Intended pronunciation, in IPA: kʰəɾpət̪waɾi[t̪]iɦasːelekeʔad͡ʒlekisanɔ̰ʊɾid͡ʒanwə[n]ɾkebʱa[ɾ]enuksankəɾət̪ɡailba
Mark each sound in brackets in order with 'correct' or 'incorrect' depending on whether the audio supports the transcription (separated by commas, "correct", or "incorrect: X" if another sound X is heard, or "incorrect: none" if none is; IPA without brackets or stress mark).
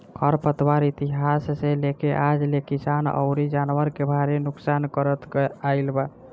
correct, incorrect: none, correct